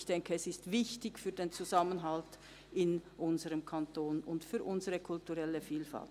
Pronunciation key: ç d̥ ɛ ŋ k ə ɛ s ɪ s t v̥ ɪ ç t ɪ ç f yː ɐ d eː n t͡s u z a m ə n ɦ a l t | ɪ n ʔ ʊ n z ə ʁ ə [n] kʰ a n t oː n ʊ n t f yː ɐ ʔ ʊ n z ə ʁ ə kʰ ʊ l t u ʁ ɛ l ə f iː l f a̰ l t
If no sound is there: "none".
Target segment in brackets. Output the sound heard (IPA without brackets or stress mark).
m